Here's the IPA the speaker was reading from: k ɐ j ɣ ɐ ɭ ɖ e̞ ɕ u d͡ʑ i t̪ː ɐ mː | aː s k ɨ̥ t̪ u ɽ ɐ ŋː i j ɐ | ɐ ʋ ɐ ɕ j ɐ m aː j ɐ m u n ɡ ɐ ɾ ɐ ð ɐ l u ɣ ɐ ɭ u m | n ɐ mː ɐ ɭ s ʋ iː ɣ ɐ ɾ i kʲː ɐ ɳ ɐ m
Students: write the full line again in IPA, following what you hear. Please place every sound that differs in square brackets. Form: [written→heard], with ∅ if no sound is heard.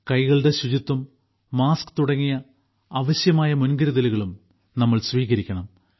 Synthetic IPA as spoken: k ɐ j ɣ ɐ ɭ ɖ e̞ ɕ u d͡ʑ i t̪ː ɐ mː | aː s k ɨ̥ t̪ u ɽ ɐ ŋː i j ɐ | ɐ ʋ ɐ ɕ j ɐ m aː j ɐ m u n ɡ ɐ ɾ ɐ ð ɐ l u ɣ ɐ ɭ u m | n ɐ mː ɐ ɭ s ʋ iː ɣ ɐ ɾ i kʲː ɐ ɳ ɐ m